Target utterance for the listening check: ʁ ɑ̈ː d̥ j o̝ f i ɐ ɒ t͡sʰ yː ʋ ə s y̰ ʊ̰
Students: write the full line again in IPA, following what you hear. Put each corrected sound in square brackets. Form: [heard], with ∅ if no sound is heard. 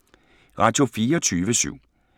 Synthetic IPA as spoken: ʁ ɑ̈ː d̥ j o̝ f [iː] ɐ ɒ t͡sʰ yː ʋ ə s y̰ ʊ̰